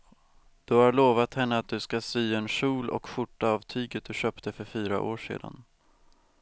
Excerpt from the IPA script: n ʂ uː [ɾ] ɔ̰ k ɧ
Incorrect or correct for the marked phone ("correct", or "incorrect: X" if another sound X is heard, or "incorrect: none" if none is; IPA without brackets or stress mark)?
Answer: incorrect: l